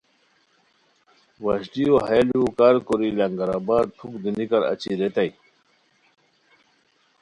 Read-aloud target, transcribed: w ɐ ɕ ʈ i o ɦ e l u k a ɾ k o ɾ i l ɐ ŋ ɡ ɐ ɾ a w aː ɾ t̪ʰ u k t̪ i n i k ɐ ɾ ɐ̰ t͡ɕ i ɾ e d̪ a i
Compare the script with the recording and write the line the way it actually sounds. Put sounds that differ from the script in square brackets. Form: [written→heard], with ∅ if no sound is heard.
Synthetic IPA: w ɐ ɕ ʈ i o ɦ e l u k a ɾ k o ɾ i l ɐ ŋ ɡ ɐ ɾ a [w→b] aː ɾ t̪ʰ u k [t̪→d̪] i n i k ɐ ɾ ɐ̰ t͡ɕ i ɾ e [d̪→t̪] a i